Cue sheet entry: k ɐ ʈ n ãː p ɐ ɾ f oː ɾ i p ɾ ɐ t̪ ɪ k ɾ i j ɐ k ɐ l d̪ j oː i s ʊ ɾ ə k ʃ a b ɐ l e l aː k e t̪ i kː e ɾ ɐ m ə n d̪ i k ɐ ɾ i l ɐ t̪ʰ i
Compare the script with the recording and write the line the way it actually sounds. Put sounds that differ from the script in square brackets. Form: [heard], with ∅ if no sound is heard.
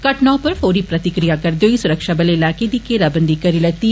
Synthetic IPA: k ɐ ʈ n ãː p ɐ ɾ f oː ɾ i p ɾ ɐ t̪ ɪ k ɾ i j [a] k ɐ [ɾ] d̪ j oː i s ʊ ɾ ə k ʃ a b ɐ l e l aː k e [d̪] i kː e ɾ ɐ [b] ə n d̪ i k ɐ ɾ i l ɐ [t̪] i